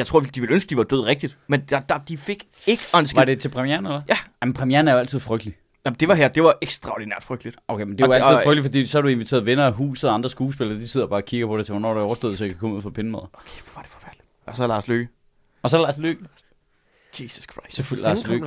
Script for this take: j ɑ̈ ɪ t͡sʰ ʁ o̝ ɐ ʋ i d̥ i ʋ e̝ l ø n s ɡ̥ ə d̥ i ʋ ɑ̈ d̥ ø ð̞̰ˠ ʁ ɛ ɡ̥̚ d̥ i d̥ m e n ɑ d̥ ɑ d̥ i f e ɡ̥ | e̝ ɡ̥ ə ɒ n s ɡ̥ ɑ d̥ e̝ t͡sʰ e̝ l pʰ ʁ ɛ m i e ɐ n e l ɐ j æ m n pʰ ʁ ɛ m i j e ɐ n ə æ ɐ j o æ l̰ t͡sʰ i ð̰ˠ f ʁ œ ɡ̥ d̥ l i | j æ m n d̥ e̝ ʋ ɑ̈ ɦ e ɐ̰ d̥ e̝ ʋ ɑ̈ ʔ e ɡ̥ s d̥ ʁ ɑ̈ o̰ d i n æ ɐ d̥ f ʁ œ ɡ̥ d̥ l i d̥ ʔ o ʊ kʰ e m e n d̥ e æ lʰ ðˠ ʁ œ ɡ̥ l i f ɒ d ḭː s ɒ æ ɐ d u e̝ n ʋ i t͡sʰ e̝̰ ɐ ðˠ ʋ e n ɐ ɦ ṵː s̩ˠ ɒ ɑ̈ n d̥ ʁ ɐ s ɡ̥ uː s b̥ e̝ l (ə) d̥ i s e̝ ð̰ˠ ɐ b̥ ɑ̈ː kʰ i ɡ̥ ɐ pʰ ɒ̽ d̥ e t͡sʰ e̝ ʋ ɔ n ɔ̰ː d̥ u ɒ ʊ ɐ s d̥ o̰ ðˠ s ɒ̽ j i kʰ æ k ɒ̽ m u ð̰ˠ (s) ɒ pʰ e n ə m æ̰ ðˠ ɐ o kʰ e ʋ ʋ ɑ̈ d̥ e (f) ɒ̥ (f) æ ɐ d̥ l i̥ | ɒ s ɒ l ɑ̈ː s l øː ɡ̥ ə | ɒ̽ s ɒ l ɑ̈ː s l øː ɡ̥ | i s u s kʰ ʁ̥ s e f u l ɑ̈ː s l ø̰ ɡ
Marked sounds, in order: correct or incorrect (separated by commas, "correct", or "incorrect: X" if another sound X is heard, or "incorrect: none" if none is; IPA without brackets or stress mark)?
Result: incorrect: ɐ, incorrect: f, correct, correct